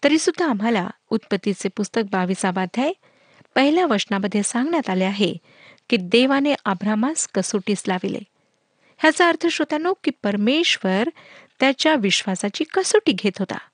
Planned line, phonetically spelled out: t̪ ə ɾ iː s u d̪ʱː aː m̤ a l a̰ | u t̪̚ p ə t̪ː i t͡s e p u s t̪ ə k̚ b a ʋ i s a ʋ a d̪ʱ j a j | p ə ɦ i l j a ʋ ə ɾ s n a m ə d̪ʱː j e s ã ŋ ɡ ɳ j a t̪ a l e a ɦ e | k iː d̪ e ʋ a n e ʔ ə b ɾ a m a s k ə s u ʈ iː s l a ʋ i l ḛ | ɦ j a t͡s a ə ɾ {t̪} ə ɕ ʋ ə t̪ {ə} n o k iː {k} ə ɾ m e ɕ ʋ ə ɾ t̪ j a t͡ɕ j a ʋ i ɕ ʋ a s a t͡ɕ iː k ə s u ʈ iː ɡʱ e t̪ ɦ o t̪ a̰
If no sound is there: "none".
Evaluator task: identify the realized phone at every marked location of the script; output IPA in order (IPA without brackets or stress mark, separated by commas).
t̪ʰ, a, p